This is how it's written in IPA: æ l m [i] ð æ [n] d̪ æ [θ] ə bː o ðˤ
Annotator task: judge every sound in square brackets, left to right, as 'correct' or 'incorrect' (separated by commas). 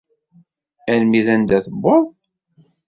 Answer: correct, correct, correct